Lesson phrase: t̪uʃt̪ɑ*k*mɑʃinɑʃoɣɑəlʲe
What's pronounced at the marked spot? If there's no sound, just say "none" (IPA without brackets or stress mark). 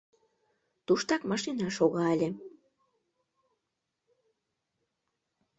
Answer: k